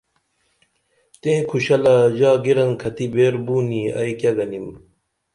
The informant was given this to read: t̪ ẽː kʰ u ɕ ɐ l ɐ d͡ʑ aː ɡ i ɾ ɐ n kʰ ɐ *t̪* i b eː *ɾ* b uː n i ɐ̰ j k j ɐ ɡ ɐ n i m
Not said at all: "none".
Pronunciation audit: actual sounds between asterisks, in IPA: t̪, ɾ

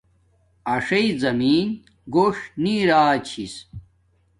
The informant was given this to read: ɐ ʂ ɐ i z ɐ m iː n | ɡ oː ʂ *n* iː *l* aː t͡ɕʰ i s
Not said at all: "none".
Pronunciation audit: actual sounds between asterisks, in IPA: n, ɾ

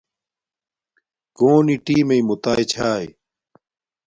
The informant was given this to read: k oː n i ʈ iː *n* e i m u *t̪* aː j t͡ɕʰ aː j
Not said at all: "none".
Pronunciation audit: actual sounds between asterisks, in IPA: m, t̪

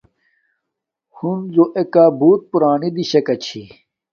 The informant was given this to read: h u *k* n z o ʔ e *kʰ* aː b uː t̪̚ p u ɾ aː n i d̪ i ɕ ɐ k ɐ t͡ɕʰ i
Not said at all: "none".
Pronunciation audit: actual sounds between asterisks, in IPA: none, k

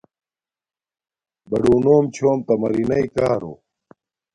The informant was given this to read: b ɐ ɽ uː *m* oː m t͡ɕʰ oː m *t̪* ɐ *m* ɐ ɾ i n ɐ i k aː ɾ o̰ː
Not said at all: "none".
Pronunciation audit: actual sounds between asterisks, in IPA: n, t̪, m

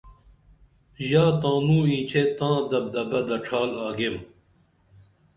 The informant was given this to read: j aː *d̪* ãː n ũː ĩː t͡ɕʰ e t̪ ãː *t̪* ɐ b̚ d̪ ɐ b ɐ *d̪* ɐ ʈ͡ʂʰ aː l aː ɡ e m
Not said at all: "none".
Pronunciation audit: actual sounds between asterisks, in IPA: t̪, d̪, d̪

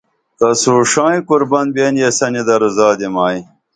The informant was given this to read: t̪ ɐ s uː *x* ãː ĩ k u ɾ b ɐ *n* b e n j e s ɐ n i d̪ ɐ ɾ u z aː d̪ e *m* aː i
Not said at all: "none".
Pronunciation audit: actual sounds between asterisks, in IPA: ʂ, n, m

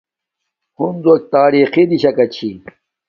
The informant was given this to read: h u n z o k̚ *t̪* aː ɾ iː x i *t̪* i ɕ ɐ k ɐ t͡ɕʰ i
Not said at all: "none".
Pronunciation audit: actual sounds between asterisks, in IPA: t̪, d̪

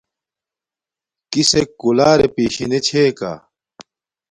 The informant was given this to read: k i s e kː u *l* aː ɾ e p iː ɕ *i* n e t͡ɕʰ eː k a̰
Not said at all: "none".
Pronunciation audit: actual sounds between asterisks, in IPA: l, i

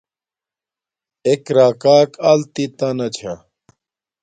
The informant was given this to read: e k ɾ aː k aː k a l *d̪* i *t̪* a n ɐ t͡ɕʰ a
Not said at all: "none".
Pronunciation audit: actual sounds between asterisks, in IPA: t̪, t̪

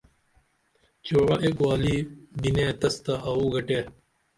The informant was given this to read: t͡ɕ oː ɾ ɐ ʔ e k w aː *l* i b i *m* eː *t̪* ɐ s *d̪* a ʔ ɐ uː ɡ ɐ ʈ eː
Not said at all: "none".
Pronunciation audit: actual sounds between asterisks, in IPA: l, n, t̪, t̪

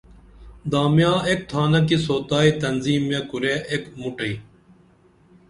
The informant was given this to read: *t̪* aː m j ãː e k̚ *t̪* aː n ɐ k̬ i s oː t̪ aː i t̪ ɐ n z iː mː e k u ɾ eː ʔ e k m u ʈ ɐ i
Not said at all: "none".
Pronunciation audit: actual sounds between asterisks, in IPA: d̪, t̪ʰ

